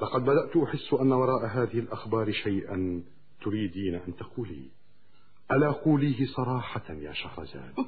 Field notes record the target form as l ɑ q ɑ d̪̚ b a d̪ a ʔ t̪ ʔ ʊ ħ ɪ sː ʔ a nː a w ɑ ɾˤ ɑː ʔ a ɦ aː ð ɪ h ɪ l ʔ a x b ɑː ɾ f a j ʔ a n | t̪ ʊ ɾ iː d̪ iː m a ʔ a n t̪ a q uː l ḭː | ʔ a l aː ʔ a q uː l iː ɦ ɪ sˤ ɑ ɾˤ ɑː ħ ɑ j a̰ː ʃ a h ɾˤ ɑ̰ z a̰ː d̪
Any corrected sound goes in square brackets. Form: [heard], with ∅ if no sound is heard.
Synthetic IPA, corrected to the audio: l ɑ q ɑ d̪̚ b a d̪ a ʔ t̪ ʔ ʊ ħ ɪ sː ʔ a nː a w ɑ ɾˤ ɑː ʔ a ɦ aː ð ɪ h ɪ l ʔ a x b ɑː ɾ [ʃ] a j ʔ a n | t̪ ʊ ɾ iː d̪ iː [n] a ʔ a n t̪ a q uː l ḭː | ʔ a l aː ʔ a q uː l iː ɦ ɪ sˤ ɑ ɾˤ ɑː ħ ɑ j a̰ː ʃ a h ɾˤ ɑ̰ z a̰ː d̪